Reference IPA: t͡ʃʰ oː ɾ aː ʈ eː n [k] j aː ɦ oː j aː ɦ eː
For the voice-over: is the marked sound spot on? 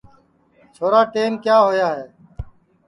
yes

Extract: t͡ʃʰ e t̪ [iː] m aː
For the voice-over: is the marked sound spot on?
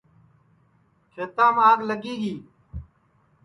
no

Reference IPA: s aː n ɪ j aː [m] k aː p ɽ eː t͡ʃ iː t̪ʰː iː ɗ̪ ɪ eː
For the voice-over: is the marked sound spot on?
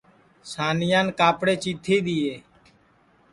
no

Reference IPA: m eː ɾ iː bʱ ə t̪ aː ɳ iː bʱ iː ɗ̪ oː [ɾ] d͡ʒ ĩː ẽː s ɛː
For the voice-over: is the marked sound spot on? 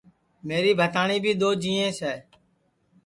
no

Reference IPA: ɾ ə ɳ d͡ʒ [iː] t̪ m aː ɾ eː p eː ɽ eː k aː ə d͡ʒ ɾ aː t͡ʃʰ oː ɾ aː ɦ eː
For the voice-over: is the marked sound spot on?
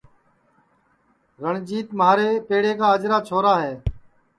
yes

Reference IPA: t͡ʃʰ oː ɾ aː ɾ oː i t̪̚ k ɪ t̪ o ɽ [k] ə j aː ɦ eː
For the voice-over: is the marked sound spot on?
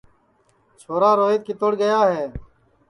no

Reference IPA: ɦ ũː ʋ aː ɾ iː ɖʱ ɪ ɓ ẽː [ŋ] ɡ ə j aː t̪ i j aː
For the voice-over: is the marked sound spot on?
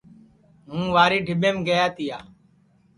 no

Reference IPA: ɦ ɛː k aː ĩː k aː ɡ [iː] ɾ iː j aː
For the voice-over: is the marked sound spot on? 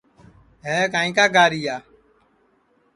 no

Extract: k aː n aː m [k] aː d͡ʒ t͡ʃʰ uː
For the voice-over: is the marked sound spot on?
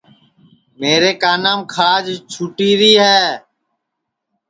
no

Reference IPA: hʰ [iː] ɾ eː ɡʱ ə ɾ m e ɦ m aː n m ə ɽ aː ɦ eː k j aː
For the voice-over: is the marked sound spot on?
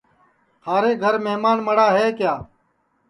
no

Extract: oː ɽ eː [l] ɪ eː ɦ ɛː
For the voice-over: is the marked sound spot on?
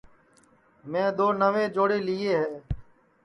yes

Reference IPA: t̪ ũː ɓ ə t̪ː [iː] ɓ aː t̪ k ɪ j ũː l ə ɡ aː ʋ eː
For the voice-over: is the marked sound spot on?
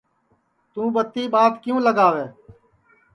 yes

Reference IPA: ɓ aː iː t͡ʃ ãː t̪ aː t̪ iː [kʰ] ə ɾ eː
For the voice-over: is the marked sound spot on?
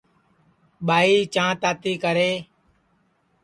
no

